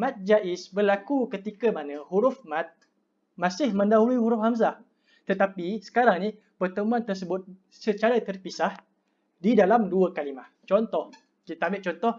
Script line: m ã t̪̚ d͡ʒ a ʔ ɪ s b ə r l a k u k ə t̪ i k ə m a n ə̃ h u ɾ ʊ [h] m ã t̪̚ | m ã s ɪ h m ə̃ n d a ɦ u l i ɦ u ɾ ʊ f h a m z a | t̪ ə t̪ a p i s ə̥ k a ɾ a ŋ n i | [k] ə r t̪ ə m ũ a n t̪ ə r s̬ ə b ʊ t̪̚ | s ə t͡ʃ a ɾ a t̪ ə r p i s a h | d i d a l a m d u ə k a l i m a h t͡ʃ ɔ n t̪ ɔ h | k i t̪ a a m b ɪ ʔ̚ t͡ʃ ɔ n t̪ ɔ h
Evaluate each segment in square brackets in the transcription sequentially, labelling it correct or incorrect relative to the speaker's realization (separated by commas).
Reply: incorrect, incorrect